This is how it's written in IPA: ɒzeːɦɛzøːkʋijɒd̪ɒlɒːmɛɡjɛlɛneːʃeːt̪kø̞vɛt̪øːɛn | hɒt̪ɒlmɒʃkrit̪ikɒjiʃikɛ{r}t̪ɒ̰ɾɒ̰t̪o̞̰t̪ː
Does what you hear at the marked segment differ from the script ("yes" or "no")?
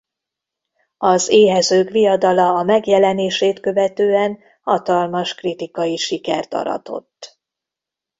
no